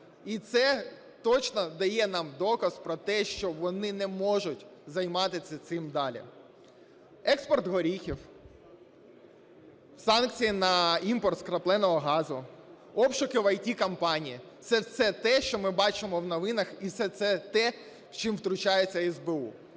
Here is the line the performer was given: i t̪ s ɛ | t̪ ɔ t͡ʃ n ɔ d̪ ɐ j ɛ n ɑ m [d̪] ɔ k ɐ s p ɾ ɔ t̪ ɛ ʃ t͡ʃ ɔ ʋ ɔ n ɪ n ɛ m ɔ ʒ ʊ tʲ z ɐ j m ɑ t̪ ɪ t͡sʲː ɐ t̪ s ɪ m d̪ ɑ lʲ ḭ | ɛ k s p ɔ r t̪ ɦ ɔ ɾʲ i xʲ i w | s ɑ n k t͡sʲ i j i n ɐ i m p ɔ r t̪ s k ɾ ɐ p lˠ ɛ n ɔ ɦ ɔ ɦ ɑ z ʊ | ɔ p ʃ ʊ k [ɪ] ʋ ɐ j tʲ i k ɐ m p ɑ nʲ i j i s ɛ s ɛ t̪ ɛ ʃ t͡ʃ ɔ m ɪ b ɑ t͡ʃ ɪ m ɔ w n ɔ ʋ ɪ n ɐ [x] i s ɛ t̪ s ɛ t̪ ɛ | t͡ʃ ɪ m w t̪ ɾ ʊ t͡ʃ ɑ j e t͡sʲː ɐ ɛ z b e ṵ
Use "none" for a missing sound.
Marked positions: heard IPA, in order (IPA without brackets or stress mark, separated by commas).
d̪, ɪ, x